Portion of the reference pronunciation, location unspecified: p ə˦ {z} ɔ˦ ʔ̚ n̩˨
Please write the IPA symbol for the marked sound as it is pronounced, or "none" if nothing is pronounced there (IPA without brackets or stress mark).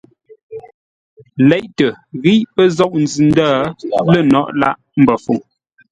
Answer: z